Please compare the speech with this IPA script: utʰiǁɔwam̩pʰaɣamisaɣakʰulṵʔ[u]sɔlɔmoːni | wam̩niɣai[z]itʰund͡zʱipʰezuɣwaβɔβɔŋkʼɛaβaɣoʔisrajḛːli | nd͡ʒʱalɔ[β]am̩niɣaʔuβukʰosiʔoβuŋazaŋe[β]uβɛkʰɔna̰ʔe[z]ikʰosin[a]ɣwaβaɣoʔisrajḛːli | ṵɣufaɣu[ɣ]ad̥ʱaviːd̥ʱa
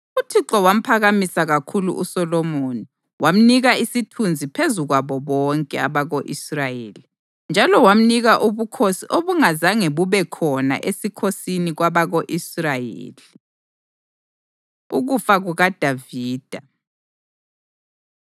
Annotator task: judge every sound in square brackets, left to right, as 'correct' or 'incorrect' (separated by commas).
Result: correct, incorrect, incorrect, correct, incorrect, incorrect, correct